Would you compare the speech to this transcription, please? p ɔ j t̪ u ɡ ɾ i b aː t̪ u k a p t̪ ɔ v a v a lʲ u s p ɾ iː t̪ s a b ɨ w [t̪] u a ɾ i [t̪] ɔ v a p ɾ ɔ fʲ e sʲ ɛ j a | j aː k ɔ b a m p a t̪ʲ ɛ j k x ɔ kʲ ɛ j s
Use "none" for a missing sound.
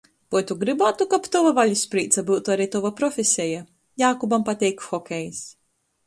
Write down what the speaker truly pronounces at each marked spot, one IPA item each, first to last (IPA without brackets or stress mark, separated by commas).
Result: t̪, t̪